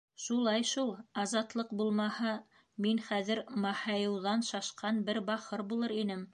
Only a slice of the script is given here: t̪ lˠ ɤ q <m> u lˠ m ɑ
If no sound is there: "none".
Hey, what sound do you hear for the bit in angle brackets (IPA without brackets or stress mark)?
b